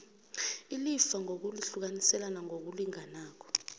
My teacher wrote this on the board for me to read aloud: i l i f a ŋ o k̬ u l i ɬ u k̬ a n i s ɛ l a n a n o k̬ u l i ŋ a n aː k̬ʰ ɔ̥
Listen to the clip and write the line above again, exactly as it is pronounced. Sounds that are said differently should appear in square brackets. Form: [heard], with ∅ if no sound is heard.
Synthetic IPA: i l i f a ŋ o k̬ u l i ɬ u k̬ a n i s ɛ l a n a [ŋ] o k̬ u l i ŋ a n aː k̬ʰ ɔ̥